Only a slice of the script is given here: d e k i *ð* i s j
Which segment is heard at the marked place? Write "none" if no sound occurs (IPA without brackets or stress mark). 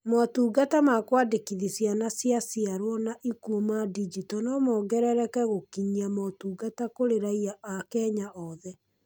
ð